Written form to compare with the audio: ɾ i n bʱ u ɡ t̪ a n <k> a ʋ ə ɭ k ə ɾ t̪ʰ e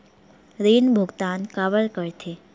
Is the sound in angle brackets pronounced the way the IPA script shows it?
yes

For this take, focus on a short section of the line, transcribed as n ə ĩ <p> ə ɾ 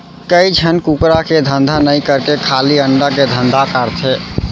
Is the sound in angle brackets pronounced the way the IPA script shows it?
no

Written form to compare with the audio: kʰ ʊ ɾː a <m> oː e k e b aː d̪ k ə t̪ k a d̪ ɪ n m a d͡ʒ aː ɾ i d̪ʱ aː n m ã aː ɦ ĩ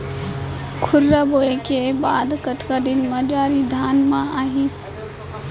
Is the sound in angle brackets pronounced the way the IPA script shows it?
no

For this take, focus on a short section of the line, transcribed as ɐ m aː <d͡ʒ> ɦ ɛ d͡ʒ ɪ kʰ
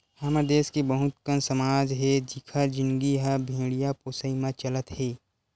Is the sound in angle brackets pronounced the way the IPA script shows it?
yes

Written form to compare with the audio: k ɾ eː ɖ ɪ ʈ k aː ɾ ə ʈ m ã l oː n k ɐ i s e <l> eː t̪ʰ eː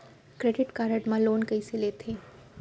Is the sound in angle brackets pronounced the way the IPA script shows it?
yes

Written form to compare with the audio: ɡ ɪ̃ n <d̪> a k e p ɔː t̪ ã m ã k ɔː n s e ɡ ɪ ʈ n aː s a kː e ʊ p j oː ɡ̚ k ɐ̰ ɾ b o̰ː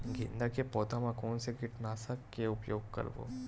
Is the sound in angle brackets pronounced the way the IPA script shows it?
yes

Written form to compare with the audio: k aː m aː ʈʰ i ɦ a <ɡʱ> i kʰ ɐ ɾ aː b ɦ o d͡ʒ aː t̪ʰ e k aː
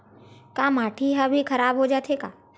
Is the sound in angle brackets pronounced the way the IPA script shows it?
no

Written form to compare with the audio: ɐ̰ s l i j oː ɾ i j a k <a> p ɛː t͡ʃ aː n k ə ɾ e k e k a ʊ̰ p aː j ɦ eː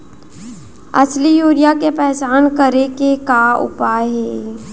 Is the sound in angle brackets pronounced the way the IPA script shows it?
no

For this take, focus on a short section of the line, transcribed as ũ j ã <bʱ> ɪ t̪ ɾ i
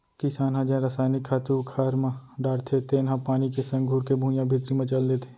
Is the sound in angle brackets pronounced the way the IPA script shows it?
yes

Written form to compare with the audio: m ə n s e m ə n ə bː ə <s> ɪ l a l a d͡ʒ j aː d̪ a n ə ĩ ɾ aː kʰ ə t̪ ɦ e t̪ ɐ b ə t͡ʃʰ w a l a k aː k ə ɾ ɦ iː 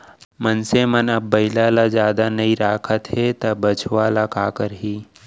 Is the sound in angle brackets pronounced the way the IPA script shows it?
no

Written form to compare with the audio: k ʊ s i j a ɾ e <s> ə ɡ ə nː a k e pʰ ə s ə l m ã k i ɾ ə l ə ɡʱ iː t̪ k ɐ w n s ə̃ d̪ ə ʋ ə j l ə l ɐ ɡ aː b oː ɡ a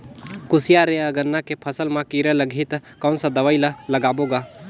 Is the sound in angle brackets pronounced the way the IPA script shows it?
no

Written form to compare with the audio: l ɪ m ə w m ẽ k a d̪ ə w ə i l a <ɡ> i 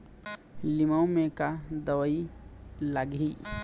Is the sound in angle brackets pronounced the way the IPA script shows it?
yes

